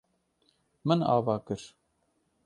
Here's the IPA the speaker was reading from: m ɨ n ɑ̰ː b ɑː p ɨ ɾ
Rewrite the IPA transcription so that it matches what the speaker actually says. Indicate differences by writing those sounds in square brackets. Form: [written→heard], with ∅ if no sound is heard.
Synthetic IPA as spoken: m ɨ n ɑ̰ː [b→v] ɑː [p→k] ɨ ɾ